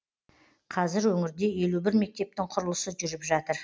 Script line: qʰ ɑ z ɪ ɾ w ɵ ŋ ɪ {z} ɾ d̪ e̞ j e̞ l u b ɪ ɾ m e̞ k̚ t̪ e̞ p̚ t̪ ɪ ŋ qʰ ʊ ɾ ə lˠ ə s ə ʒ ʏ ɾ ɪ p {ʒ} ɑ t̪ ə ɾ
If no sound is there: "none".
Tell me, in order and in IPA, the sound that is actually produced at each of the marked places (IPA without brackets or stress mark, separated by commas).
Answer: none, ʒ